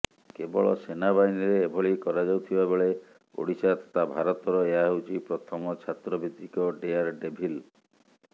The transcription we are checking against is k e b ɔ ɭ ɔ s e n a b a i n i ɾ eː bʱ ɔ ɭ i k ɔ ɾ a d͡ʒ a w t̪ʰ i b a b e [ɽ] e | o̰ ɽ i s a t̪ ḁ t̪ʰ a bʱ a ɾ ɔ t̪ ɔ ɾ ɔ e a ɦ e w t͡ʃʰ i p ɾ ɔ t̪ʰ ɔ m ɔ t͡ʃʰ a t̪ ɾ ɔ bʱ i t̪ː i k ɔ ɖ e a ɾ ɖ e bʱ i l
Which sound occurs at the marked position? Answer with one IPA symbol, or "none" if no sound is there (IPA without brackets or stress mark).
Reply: ɭ